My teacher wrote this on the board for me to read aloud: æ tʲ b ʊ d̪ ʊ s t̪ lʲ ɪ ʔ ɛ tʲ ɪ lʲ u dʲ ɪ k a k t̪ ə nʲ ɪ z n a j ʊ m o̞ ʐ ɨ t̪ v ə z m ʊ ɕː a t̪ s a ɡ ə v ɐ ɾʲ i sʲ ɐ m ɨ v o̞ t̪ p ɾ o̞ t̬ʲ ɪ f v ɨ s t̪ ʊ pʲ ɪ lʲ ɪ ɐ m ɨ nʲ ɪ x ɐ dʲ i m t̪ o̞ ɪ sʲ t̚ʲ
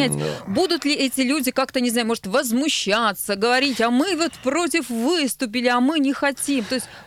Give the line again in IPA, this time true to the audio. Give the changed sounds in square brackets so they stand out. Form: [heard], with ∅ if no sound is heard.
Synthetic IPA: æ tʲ b [u] d̪ ʊ [∅] t̪ lʲ ɪ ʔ ɛ tʲ ɪ lʲ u dʲ ɪ k a k t̪ ə nʲ ɪ z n a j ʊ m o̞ ʐ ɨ t̪ v ə z m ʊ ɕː a t̪ s [ə] ɡ ə v ɐ ɾʲ i [tʲ] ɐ m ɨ v o̞ t̪ p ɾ o̞ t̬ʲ ɪ f v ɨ s t̪ ʊ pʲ ɪ lʲ ɪ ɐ m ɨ nʲ ɪ x ɐ [tʲ] i m t̪ o̞ ɪ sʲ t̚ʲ